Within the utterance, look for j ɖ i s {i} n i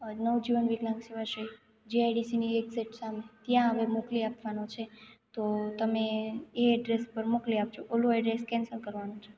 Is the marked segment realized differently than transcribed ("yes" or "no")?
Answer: no